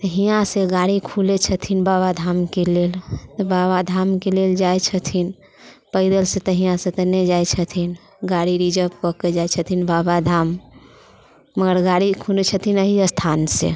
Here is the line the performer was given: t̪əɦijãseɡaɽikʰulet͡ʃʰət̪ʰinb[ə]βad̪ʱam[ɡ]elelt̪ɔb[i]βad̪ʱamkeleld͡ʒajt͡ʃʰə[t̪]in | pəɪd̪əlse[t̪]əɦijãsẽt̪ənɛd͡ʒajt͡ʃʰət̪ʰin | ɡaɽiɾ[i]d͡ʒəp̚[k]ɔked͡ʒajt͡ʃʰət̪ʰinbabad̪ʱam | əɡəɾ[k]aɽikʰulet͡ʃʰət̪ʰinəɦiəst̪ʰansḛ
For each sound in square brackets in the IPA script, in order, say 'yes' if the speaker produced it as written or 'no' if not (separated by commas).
no, no, no, no, yes, yes, yes, no